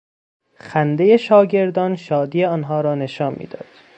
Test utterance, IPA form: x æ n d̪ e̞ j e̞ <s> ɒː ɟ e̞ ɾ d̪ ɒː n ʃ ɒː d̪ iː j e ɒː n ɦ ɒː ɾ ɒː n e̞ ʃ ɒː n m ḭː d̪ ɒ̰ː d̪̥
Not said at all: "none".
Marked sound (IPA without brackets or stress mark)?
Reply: ʃ